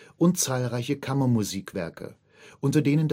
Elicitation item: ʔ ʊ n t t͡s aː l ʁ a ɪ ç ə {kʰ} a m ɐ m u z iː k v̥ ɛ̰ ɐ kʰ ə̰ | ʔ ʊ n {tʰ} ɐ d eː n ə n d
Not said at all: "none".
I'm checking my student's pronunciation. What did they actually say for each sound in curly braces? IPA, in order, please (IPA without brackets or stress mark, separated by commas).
kʰ, t